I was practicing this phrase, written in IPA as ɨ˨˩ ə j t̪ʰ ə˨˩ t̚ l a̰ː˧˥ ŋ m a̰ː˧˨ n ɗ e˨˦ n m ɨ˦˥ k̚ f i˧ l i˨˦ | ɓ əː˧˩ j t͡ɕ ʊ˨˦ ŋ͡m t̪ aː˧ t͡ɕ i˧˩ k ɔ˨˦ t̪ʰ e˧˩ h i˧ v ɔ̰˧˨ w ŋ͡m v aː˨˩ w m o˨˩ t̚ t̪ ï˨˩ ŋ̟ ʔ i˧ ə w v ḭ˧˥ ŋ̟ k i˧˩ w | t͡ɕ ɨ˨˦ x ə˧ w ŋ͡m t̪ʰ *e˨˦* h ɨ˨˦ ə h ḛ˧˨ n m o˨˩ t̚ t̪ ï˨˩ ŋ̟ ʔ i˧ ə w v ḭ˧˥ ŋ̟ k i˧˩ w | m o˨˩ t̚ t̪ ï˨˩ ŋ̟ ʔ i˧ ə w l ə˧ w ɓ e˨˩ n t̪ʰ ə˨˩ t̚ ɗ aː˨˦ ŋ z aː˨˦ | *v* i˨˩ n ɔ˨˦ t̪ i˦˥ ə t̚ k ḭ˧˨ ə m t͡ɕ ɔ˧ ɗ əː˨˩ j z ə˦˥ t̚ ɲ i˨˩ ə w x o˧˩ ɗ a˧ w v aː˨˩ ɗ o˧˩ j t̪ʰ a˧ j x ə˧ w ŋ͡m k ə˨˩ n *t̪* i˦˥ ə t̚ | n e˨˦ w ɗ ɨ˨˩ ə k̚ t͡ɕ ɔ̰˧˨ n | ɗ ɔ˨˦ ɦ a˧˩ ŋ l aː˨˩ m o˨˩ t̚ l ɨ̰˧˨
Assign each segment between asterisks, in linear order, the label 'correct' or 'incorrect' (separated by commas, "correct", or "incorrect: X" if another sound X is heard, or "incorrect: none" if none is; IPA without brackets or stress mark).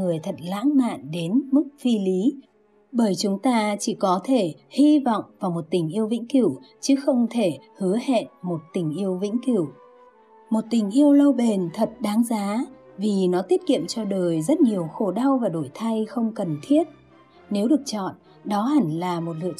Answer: incorrect: e˧˩, correct, incorrect: t̪ʰ